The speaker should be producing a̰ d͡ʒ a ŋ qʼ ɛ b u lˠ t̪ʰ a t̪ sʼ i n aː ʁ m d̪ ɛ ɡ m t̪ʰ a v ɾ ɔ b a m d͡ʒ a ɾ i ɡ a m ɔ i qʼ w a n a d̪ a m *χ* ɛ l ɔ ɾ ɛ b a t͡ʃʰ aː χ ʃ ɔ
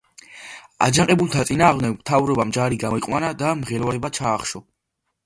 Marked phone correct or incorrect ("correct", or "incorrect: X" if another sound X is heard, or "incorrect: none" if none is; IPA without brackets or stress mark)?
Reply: incorrect: ʁ